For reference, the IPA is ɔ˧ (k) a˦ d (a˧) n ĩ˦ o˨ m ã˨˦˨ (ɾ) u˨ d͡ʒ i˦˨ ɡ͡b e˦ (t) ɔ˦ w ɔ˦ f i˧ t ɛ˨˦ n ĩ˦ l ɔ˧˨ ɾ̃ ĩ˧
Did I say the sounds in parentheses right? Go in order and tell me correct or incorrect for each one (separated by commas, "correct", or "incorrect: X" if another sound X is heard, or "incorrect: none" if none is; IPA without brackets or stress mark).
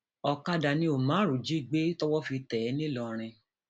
correct, correct, correct, correct